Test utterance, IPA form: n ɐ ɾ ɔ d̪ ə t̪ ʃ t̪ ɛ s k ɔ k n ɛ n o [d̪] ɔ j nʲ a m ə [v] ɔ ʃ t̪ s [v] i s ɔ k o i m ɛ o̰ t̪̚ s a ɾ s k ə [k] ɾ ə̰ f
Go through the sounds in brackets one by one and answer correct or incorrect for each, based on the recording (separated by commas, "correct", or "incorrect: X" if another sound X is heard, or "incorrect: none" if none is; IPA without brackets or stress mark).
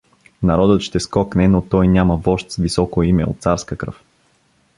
incorrect: t̪, correct, correct, correct